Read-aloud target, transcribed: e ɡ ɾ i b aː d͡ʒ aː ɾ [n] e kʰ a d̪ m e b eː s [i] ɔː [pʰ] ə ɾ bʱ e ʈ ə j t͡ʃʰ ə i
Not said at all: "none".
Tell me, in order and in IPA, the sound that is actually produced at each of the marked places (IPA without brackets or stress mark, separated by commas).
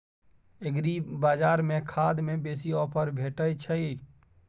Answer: m, i, pʰ